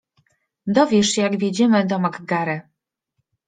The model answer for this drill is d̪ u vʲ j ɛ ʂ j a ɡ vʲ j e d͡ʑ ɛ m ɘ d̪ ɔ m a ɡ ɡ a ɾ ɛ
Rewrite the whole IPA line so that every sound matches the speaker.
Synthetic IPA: d̪ ɔ vʲ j ɛ ʂ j a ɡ vʲ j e d͡ʑ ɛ m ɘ d̪ ɔ m a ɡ ɡ a ɾ ɛ

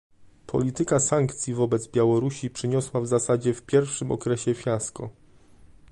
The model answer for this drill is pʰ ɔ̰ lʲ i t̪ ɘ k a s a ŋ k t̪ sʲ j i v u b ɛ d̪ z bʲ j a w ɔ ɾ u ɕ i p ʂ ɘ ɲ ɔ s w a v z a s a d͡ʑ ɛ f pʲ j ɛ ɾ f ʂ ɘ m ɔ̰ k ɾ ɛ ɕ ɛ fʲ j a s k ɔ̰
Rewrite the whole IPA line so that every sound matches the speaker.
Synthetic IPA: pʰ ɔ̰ lʲ i t̪ ɘ k a s a ŋ k t̪ sʲ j i v ɔ b ɛ d̪ z bʲ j a w ɔ ɾ u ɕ i p ʂ ɘ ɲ ɔ s w a v z a s a d͡ʑ ɛ f pʲ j ɛ ɾ f ʂ ɘ m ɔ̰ k ɾ ɛ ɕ ɛ fʲ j a s k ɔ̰

